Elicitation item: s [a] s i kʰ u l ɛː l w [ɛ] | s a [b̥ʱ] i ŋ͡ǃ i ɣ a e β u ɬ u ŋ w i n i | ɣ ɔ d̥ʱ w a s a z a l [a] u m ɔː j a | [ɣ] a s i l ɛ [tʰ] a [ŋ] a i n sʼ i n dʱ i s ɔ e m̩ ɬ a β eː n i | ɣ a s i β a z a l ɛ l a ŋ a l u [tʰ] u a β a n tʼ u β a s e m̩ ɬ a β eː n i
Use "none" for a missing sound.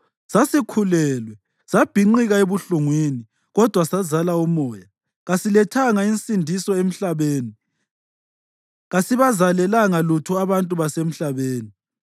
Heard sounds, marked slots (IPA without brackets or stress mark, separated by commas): a, ɛ, b̥ʱ, a, ɣ, tʰ, ŋ, tʰ